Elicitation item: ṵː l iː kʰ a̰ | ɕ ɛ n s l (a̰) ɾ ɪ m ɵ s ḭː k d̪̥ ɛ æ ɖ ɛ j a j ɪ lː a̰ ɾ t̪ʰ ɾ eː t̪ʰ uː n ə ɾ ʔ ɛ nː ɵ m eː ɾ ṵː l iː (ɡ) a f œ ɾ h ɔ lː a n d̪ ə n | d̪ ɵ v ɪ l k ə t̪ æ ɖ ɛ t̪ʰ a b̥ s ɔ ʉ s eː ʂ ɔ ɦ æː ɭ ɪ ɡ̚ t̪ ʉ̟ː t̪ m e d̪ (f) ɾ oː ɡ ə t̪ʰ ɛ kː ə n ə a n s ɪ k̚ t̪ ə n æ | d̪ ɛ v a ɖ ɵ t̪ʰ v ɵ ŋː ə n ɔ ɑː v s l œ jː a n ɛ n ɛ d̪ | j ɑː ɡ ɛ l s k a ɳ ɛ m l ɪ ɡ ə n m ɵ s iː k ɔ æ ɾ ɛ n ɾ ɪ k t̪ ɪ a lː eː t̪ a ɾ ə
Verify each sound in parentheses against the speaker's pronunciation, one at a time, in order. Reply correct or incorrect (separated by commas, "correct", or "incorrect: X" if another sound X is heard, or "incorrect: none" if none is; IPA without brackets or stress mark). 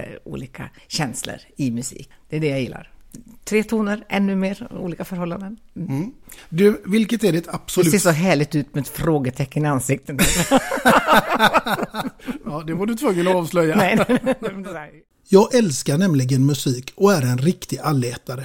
incorrect: ə̰, incorrect: k, correct